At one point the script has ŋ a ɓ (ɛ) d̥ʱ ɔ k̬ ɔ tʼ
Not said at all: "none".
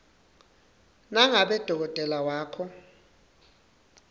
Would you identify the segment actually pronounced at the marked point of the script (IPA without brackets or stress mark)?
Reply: ɛ